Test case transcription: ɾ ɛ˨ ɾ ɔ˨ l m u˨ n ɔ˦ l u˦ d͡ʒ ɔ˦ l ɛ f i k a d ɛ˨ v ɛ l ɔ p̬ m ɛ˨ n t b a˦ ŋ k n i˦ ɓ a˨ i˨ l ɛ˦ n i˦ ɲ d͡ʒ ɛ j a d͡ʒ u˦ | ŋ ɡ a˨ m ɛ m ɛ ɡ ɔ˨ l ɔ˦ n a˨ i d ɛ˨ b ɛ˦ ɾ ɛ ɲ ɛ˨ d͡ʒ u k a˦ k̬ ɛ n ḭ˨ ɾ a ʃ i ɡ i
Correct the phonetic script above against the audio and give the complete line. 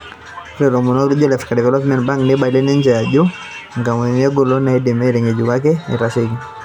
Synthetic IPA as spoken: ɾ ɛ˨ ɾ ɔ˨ m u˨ n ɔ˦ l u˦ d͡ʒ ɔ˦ l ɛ f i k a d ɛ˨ v ɛ l ɔ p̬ m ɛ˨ n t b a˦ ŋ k n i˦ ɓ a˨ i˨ l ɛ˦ n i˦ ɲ d͡ʒ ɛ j a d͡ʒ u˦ | ŋ ɡ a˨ m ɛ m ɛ ɡ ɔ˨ l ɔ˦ n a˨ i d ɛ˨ m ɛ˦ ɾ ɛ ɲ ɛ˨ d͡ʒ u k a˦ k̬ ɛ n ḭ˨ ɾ a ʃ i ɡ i